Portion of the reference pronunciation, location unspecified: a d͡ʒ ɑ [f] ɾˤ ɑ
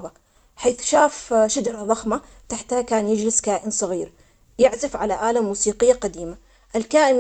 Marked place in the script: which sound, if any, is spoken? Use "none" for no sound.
none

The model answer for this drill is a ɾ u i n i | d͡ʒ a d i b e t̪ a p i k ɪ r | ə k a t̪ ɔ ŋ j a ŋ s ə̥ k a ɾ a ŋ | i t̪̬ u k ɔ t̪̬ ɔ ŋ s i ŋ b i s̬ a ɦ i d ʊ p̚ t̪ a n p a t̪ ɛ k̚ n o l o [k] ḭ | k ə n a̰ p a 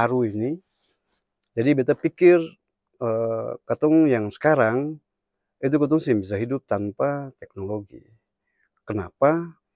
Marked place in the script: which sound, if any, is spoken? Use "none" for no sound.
ɡ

